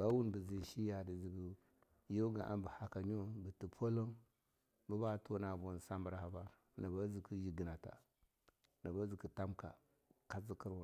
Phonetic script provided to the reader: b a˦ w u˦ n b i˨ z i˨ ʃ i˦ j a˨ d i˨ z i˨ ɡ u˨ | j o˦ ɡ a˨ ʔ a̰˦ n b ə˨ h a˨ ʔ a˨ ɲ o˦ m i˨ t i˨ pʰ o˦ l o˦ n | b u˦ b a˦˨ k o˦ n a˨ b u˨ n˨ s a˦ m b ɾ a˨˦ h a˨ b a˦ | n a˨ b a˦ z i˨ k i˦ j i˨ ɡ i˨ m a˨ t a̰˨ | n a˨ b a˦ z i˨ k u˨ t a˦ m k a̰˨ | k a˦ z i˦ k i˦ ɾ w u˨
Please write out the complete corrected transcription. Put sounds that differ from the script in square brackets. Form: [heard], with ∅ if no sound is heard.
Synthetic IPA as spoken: b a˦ w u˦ n b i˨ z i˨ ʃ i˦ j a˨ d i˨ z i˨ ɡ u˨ | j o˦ ɡ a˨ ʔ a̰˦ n b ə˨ h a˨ [k] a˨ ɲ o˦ [b] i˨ t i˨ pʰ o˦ l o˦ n | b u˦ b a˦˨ [t] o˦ n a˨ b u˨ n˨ s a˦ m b ɾ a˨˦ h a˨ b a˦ | n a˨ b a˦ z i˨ k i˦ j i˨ ɡ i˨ [n] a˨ t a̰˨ | n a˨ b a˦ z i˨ k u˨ t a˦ m k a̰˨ | k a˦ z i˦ k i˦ ɾ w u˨